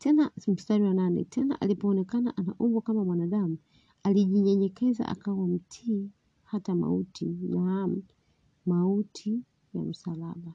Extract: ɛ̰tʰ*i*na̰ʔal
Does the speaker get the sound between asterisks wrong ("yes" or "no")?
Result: yes